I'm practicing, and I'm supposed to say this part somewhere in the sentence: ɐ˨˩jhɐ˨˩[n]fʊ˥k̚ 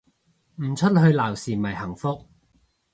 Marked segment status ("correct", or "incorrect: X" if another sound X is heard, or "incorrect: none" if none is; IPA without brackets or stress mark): incorrect: ŋ